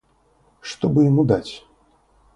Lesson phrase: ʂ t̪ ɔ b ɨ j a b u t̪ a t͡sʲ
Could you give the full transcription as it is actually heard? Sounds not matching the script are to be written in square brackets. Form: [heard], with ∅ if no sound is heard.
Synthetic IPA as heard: ʂ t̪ ɔ b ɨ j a [m] u [d̪] a t͡sʲ